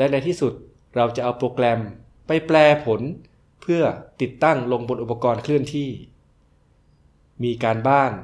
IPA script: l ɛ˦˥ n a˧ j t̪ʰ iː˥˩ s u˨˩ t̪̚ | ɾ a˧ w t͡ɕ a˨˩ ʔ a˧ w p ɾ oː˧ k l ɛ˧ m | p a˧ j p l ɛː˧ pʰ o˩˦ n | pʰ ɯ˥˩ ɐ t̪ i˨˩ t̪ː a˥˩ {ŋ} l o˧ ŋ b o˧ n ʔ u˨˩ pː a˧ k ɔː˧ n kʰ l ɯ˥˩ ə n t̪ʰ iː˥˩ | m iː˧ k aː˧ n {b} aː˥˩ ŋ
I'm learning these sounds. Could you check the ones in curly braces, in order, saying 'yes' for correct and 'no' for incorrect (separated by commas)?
yes, yes